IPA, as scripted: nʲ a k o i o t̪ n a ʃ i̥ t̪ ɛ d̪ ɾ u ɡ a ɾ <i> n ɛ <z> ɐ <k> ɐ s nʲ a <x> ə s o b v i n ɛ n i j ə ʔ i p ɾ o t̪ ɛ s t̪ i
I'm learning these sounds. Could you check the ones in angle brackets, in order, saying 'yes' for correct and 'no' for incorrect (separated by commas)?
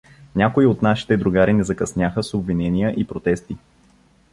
yes, yes, yes, yes